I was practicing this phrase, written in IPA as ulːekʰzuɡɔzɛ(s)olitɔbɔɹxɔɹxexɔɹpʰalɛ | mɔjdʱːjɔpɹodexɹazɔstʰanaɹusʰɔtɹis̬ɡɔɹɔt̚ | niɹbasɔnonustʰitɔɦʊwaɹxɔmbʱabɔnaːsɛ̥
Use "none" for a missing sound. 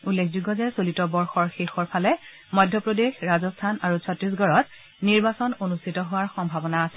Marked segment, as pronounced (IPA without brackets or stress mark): s